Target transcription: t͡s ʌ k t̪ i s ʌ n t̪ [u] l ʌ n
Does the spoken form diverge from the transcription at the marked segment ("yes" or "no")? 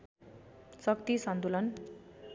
no